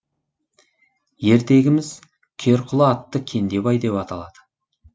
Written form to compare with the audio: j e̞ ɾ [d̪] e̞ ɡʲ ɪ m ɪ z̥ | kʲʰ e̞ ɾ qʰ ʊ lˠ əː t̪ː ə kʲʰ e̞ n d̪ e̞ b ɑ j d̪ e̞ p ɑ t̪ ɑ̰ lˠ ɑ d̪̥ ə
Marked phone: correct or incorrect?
incorrect